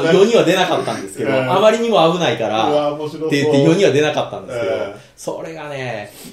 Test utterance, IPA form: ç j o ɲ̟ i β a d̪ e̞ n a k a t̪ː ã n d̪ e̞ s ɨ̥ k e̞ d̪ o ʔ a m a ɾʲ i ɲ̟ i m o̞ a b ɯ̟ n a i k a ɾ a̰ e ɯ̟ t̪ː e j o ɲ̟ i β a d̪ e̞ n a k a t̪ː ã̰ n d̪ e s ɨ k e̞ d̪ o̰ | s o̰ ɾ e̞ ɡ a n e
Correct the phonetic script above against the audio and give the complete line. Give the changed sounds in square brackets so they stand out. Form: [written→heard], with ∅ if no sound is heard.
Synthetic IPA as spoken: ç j o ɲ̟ i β a d̪ e̞ n a k a t̪ː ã n d̪ e̞ s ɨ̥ k e̞ d̪ o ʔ a m a ɾʲ i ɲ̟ i m o̞ a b ɯ̟ n a i k a ɾ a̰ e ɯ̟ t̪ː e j o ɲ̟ i β a d̪ e̞ n a k a t̪ː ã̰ n d̪ e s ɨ k e̞ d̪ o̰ | s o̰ ɾ e̞ ɡ a n e